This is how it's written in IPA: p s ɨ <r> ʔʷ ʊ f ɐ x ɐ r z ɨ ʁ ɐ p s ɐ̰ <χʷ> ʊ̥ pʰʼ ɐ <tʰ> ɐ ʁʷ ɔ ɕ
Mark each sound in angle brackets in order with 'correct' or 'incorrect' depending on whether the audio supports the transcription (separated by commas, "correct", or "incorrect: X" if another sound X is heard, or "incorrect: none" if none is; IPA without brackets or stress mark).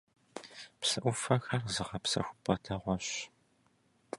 incorrect: none, incorrect: xʷ, correct